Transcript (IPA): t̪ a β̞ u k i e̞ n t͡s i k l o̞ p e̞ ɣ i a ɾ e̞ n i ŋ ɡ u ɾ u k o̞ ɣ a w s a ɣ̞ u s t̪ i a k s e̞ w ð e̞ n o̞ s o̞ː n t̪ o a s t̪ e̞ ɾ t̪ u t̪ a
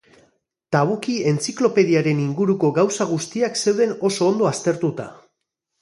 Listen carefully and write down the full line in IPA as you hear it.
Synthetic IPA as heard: t̪ a β̞ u k i e̞ n t͡s i k l o̞ p e̞ ð i a ɾ e̞ n i ŋ ɡ u ɾ u k o̞ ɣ a w s a ɣ̞ u s t̪ i a k s e̞ w ð e̞ n o̞ s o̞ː n d̪ o a s t̪ e̞ ɾ t̪ u t̪ a